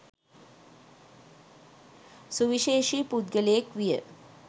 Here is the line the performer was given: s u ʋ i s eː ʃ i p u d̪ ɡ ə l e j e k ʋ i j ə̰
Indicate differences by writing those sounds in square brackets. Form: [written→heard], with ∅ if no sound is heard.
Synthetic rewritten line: s u ʋ i [s→ʃ] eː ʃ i p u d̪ ɡ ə l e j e k ʋ i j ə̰